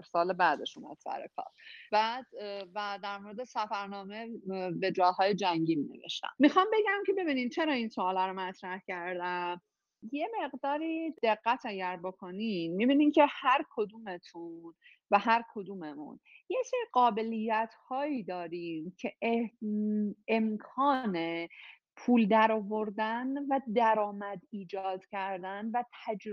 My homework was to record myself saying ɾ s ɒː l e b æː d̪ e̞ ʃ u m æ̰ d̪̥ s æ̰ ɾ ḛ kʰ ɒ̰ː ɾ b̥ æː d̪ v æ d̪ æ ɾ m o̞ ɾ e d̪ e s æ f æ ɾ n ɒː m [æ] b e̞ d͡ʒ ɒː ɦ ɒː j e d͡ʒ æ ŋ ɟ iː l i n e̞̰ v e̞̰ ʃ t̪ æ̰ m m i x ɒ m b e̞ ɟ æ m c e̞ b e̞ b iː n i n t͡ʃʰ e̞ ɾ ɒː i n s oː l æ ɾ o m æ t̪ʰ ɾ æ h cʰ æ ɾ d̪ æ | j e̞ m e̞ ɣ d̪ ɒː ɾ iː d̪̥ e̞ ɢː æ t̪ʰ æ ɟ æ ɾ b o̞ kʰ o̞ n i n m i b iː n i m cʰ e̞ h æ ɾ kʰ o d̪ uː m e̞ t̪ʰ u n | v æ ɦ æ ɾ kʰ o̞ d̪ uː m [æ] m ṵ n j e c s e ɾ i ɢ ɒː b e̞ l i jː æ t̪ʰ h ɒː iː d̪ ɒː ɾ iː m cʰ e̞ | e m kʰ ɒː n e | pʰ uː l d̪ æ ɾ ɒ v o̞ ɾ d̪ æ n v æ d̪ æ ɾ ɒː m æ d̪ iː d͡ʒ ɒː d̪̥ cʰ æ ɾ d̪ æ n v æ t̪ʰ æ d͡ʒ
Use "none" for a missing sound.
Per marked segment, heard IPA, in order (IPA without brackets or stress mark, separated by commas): e, e